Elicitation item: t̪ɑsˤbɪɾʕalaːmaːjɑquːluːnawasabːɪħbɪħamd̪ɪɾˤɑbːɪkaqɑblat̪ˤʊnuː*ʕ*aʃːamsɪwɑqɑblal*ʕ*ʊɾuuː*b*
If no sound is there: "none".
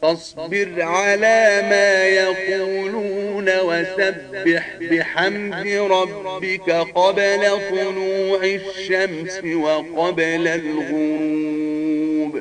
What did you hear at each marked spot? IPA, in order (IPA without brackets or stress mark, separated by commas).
ʕ, ɣ, b